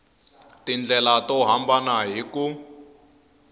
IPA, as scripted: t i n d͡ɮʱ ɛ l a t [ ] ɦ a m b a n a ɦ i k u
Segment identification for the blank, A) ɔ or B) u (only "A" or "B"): A